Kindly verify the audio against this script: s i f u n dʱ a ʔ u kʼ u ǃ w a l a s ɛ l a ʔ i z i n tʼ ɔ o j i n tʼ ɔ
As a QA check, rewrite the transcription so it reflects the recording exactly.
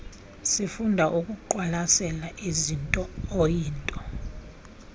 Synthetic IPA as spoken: s i f u n dʱ a ʔ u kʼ u ǃ w a l a s ɛ l a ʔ i z i n tʼ ɔ o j iː n tʼ ɔ